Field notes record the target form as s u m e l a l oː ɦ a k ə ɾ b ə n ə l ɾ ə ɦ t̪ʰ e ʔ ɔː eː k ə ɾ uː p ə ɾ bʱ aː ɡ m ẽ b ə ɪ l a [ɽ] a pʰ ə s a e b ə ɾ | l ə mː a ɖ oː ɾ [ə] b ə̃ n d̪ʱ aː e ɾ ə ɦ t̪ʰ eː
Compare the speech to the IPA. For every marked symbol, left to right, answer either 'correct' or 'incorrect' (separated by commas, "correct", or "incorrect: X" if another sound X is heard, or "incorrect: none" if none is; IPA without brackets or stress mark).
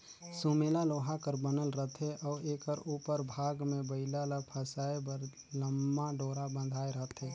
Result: incorrect: l, incorrect: a